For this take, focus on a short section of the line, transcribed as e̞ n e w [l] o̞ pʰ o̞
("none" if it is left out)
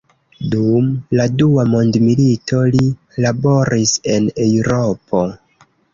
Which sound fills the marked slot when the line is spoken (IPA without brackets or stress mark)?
ɾ